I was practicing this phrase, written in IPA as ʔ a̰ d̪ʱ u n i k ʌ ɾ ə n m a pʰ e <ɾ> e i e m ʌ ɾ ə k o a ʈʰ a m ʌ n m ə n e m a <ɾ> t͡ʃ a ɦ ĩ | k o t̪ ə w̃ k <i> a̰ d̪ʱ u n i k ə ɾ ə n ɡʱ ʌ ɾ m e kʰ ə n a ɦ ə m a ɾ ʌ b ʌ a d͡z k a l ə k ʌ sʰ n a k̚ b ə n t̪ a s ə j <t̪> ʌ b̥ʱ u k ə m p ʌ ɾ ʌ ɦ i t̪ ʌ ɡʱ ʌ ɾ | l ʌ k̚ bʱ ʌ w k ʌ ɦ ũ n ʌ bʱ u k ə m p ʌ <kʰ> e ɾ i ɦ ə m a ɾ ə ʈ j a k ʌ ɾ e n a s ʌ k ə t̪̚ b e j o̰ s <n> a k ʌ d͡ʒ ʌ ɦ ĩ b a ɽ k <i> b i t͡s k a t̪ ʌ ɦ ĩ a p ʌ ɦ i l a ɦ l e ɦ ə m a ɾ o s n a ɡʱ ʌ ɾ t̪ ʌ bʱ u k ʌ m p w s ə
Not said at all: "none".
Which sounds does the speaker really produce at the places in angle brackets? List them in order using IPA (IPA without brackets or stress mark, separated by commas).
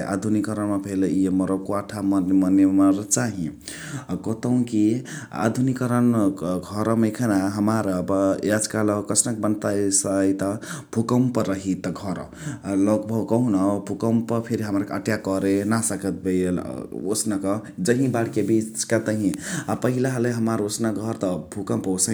l, ɾ, i, t̪, pʰ, n, e